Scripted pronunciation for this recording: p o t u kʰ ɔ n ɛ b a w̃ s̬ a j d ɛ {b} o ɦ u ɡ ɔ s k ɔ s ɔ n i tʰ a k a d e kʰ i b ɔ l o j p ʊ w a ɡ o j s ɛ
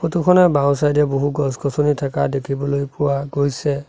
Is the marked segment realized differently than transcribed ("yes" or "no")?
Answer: no